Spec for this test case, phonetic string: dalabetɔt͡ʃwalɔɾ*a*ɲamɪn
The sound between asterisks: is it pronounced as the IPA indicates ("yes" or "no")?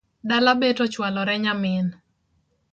no